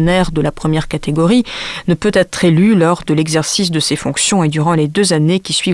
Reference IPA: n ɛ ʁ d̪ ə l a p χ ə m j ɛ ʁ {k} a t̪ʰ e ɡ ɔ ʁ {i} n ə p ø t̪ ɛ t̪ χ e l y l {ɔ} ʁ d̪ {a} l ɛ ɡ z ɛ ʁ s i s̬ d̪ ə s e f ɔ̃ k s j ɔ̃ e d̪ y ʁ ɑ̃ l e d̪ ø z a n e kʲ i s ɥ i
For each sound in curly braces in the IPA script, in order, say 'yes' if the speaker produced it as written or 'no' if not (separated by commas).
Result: yes, yes, yes, no